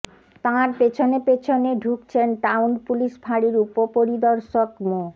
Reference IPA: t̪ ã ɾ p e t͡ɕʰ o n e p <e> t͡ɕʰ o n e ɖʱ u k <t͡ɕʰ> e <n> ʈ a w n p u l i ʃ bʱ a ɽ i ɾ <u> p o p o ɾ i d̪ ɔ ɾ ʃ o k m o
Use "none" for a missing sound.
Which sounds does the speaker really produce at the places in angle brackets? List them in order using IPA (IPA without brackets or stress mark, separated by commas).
e, t͡ɕʰ, n, u